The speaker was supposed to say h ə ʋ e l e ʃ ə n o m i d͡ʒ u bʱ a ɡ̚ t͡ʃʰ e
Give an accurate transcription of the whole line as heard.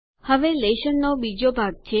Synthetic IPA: h ə ʋ e l e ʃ ə nː o b i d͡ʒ o bʱ a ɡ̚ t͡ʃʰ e